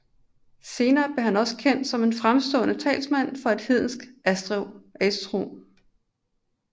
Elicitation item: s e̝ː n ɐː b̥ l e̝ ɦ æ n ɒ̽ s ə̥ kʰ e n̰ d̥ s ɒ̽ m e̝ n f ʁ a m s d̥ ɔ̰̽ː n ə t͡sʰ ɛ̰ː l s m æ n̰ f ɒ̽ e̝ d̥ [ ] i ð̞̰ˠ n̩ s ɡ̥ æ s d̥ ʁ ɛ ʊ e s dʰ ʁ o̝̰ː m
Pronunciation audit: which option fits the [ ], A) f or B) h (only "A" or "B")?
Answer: B